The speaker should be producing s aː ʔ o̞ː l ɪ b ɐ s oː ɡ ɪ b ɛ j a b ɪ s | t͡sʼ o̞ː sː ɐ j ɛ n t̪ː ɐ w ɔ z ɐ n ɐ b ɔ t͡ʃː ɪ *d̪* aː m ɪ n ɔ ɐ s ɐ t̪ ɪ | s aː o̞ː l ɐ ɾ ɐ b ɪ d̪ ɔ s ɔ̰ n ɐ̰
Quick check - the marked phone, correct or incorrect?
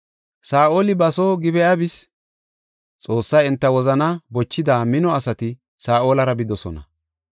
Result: correct